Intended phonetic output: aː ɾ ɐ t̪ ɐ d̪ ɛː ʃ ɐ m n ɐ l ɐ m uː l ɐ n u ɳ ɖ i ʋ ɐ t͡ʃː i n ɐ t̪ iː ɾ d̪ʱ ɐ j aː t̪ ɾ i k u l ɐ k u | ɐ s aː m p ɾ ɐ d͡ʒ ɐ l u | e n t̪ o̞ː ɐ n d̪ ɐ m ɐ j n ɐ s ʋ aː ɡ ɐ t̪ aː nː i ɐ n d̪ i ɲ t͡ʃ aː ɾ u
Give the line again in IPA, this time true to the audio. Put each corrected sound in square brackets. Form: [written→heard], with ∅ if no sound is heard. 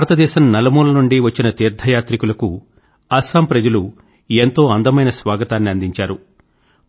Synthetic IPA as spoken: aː ɾ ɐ t̪ ɐ d̪ ɛː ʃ ɐ m n ɐ l ɐ m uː l ɐ n u ɳ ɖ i ʋ ɐ t͡ʃː i n ɐ t̪ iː ɾ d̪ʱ ɐ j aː t̪ ɾ i k u l ɐ k u | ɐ s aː m p ɾ ɐ d͡ʒ ɐ l u | e n t̪ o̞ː ɐ n d̪ ɐ m ɐ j n ɐ s ʋ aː ɡ ɐ t̪ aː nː i ɐ n d̪ i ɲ t͡ʃ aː ɾ u